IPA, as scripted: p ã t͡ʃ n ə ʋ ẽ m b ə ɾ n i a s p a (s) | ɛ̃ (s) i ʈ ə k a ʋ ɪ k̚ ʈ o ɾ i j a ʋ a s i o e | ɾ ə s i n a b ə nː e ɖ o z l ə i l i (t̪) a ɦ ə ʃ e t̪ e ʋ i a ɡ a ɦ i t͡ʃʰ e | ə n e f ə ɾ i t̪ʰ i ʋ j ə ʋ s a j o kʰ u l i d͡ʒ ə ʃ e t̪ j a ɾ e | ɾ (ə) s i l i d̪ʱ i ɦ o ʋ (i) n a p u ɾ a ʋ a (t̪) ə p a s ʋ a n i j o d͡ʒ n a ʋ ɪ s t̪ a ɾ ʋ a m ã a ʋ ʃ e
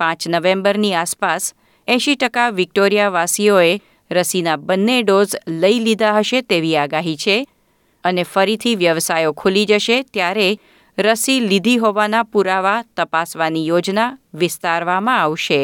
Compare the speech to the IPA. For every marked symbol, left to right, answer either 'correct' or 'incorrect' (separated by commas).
correct, incorrect, incorrect, correct, incorrect, correct